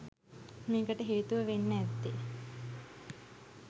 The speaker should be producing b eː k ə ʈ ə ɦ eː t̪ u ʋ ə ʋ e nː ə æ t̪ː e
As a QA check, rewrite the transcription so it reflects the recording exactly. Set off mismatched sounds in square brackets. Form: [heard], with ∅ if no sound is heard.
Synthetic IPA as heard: [m] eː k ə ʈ ə ɦ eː t̪ u ʋ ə ʋ e nː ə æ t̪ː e